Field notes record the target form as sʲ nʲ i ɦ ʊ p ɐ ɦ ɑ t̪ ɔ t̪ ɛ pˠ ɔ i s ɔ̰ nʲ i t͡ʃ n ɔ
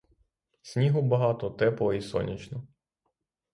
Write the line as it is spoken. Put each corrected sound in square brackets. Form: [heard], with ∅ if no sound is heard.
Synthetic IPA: sʲ nʲ i ɦ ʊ [b] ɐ ɦ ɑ t̪ ɔ t̪ ɛ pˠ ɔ i s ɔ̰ nʲ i t͡ʃ n ɔ